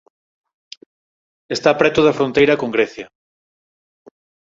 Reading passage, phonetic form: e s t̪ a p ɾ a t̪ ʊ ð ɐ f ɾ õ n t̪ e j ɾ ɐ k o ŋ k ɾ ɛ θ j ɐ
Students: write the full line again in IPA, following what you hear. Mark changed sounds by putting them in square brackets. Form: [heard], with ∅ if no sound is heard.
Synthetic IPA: e s t̪ a p ɾ [ɛ] t̪ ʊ ð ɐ f ɾ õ n t̪ e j ɾ ɐ k o ŋ [ɡ] ɾ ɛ θ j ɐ